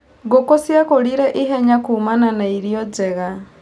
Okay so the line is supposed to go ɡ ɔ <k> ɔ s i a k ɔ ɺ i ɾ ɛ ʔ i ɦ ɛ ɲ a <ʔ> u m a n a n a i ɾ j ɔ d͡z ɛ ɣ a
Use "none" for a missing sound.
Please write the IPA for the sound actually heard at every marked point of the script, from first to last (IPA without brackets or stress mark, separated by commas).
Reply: k, k